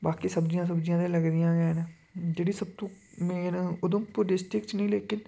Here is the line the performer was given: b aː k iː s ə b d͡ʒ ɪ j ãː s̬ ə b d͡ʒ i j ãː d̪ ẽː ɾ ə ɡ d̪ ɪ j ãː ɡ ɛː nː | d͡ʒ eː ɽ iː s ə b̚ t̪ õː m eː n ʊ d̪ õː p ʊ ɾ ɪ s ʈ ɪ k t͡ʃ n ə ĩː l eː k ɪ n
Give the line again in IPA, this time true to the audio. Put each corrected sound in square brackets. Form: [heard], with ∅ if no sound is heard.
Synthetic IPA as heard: b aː k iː s ə b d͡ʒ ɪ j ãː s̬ ə b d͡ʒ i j ãː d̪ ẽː [l] ə ɡ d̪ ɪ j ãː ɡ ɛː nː | d͡ʒ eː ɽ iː s ə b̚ t̪ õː m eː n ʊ d̪ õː p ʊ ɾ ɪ s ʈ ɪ k t͡ʃ n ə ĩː l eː k ɪ n